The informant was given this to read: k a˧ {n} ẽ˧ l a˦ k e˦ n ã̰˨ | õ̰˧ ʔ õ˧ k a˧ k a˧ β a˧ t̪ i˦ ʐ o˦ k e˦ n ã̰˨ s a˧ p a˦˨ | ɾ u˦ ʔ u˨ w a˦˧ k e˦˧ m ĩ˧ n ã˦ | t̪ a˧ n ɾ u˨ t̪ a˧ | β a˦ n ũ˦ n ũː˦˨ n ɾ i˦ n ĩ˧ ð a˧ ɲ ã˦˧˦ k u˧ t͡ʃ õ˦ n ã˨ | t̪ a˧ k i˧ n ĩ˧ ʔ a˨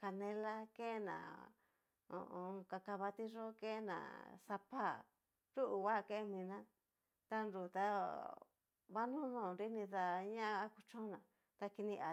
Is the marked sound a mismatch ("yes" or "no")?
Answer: no